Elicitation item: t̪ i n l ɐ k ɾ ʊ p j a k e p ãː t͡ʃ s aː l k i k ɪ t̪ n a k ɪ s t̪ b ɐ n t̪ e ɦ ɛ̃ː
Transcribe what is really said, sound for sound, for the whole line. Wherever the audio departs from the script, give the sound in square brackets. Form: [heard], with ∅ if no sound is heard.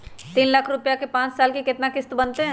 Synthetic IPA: t̪ [iː] n l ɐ [kʰ] ɾ ʊ p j a k e p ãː t͡ʃ s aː l k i k ɪ t̪ n a k ɪ s t̪ b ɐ n t̪ e ɦ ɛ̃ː